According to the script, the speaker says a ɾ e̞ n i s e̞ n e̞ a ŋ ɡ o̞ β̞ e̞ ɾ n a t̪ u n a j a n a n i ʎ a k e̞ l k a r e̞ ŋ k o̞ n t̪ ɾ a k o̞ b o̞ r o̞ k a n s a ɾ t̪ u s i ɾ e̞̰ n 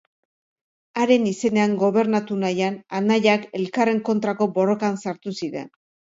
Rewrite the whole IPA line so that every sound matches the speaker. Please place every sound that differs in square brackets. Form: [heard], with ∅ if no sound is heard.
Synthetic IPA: a ɾ e̞ n i s e̞ n e̞ a ŋ ɡ o̞ β̞ e̞ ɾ n a t̪ u n a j a n a n [a] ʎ a k e̞ l k a r e̞ ŋ k o̞ n t̪ ɾ a k o̞ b o̞ r o̞ k a n s a ɾ t̪ u s i ɾ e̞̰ n